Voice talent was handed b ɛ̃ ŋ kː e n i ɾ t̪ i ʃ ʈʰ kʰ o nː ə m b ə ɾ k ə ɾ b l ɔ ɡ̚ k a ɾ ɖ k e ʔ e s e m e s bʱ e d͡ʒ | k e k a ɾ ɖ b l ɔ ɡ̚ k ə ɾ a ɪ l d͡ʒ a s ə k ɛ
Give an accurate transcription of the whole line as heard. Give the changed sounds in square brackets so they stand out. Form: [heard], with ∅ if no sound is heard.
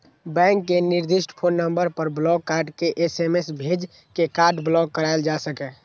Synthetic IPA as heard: b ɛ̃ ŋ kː e n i ɾ [d̪] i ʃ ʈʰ [pʰ] o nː ə m b ə ɾ [p] ə ɾ b l ɔ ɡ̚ k a ɾ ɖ k e ʔ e s e m e s bʱ e d͡ʒ | k e k a ɾ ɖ b l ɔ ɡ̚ k ə ɾ a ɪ l d͡ʒ a s ə k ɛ